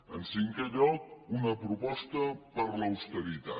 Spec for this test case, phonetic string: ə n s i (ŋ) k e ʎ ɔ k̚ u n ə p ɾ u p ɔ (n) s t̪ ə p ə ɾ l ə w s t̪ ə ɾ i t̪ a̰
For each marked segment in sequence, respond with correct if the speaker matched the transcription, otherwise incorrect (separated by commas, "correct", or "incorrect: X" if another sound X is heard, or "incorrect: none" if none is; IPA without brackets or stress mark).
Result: correct, incorrect: none